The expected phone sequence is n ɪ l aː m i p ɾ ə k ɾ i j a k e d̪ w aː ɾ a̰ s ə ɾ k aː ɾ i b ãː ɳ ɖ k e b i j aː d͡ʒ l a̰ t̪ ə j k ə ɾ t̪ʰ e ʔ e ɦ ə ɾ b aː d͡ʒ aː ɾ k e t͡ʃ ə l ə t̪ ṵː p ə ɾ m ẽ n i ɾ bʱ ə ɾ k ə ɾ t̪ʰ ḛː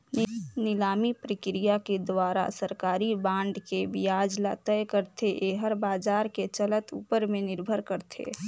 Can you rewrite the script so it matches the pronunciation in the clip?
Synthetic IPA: n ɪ l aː m i p ɾ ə k ɾ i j a k e d̪ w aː ɾ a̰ s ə ɾ k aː ɾ i b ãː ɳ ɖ k e b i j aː d͡ʒ l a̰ t̪ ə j k ə ɾ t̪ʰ e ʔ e ɦ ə ɾ b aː d͡ʒ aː ɾ k e t͡ʃ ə l ə t̪ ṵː p ə ɾ m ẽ n ɪ ɾ bʱ ə ɾ k ə ɾ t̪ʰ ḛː